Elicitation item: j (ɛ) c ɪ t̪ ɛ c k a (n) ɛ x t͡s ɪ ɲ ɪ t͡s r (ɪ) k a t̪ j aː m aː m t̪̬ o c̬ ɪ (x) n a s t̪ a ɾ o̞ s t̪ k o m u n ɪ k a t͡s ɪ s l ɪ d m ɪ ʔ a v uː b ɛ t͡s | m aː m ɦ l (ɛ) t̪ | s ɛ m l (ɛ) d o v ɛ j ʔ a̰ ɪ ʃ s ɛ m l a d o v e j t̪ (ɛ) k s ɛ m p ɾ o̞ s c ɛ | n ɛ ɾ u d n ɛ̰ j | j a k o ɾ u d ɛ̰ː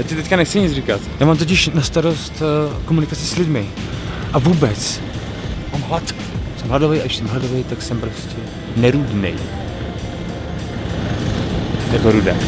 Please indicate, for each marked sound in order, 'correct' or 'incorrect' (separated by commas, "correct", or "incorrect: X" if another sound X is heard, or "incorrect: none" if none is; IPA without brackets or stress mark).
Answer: incorrect: a, correct, incorrect: i, incorrect: ʃ, incorrect: a, incorrect: a, incorrect: a